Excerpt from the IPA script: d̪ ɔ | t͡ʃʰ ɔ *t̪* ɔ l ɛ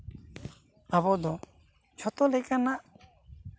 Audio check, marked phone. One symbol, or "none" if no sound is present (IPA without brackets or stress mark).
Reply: t̪